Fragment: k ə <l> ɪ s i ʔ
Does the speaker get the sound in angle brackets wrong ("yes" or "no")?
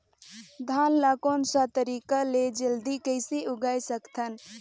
yes